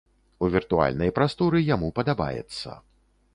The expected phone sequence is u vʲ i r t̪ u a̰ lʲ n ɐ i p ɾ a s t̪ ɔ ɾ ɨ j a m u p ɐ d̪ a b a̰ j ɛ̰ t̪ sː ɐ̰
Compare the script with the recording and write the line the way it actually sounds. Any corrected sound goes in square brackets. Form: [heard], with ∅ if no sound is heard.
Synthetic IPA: u vʲ i r t̪ u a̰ lʲ n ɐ [j] p ɾ a s t̪ ɔ ɾ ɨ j a m u p ɐ d̪ a b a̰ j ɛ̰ t̪ sː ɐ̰